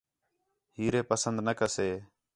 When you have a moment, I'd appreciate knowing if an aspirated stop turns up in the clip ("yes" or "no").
no